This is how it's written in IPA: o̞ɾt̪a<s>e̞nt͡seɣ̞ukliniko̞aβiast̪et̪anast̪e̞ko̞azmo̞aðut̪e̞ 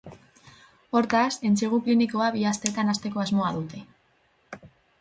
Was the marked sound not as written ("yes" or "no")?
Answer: no